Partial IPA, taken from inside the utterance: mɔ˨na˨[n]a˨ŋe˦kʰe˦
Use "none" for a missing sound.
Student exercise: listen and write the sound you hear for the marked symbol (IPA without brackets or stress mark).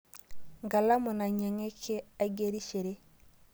ɲ